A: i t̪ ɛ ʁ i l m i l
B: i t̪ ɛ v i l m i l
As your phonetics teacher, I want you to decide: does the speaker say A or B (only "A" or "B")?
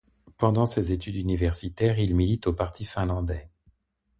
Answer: A